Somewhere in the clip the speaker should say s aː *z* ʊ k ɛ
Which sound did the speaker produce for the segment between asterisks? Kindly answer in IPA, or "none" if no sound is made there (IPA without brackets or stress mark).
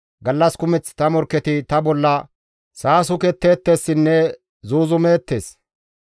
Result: s